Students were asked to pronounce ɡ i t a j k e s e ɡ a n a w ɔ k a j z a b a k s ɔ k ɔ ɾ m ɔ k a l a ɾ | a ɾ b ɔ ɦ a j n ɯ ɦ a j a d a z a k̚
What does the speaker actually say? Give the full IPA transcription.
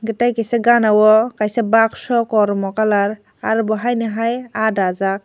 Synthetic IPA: ɡ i t a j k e s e ɡ a n a w ɔ k a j s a b a k s ɔ k ɔ ɾ m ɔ k a l a ɾ | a ɾ b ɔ ɦ a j n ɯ ɦ a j a d a z a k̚